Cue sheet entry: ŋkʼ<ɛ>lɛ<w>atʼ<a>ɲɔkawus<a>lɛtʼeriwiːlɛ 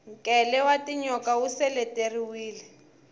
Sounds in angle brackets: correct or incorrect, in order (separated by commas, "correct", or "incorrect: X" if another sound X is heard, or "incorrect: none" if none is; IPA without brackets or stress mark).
correct, correct, incorrect: i, incorrect: ɛ